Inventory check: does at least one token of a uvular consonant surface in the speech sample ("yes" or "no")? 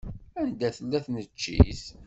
no